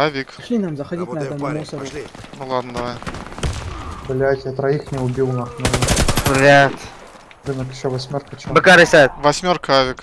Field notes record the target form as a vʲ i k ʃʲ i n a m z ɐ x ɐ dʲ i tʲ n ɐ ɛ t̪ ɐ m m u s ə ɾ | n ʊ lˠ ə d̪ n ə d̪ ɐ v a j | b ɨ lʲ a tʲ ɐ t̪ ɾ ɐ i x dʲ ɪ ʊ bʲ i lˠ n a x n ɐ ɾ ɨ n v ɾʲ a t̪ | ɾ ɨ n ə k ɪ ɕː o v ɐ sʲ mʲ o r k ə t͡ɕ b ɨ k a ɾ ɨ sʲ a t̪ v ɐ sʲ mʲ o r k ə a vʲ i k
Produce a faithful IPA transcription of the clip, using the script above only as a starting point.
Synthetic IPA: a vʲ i k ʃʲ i n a m z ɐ x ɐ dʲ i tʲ n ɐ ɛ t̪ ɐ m m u s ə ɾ | n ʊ lˠ a d̪ n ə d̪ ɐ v a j | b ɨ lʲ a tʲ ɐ t̪ ɾ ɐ i x nʲ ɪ ʊ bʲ i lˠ n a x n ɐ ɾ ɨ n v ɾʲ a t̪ | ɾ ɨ n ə k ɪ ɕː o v ɐ sʲ mʲ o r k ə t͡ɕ b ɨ k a ɾ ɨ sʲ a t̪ v ɐ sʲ mʲ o r k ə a vʲ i k